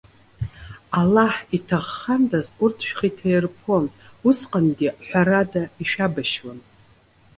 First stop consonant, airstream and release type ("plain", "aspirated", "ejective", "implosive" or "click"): aspirated